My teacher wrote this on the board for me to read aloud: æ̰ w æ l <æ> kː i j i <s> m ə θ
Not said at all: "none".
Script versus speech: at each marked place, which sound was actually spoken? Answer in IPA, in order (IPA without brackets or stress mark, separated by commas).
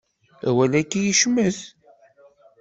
æ, ʃ